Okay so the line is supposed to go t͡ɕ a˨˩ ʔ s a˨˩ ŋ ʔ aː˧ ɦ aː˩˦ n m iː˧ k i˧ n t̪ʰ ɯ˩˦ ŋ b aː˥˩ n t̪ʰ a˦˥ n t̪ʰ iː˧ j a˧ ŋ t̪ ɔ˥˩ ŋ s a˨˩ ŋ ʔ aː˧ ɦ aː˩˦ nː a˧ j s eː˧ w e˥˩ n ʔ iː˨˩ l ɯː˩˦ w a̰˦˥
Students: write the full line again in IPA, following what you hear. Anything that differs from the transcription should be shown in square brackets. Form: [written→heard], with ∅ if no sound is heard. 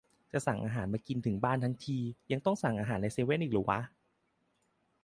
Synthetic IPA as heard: t͡ɕ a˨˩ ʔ s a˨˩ ŋ ʔ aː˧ ɦ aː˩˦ n m [iː˧→aː˧] k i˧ n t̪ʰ ɯ˩˦ ŋ b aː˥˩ n t̪ʰ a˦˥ [n→ŋ] t̪ʰ iː˧ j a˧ ŋ t̪ ɔ˥˩ ŋ s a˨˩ ŋ ʔ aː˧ ɦ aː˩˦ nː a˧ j s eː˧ w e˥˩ n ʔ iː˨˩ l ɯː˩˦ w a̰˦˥